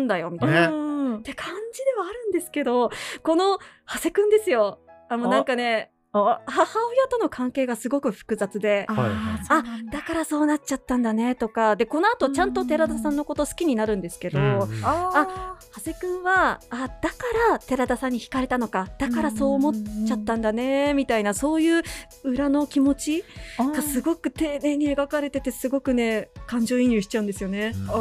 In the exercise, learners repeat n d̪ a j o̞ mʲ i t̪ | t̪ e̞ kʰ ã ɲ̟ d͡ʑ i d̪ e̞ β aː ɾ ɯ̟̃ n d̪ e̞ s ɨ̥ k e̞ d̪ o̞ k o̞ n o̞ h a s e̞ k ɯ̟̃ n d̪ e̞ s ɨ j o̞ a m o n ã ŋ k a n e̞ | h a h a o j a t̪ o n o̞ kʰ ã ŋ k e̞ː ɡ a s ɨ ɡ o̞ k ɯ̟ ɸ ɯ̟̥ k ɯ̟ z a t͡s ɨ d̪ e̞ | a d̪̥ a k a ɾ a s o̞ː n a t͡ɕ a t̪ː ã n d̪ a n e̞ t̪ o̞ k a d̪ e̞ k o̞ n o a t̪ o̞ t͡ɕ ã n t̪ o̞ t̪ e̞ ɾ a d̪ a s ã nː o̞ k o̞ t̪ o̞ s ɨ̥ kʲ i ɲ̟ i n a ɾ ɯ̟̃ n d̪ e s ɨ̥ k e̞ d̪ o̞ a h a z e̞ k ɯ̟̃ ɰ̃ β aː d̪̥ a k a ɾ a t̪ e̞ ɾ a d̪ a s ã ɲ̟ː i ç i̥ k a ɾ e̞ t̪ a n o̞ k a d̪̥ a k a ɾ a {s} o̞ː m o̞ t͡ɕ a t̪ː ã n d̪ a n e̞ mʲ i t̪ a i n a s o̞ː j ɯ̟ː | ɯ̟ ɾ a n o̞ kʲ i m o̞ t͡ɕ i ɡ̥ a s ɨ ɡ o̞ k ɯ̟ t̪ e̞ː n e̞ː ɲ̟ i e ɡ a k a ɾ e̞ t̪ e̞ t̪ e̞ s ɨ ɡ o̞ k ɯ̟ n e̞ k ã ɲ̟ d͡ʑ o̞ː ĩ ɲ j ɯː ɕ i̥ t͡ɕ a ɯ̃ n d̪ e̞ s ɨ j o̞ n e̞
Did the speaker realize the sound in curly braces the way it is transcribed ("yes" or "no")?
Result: yes